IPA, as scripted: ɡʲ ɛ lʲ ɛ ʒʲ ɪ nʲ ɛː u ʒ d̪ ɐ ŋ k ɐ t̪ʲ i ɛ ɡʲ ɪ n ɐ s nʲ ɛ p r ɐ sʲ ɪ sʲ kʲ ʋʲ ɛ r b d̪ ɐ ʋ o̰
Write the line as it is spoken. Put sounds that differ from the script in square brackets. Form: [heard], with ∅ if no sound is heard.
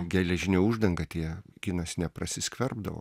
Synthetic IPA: ɡʲ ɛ lʲ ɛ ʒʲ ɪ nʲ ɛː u ʒ d̪ ɐ ŋ [ɡ] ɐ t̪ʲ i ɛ ɡʲ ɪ n ɐ s nʲ ɛ p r ɐ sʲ ɪ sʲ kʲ ʋʲ ɛ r b d̪ ɐ ʋ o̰